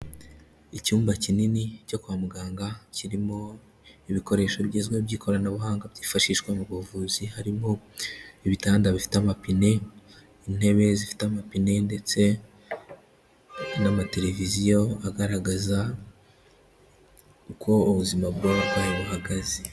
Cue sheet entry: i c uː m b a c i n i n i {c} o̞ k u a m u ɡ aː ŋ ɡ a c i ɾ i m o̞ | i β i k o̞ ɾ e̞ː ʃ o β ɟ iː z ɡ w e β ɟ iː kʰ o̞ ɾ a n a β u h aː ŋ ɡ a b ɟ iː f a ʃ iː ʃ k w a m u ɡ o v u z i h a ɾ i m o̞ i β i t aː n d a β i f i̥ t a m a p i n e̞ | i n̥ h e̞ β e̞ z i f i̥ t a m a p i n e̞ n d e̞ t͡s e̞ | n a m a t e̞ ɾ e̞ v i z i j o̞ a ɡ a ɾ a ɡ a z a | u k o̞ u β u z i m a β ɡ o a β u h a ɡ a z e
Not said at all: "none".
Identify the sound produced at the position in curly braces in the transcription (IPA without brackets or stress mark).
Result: c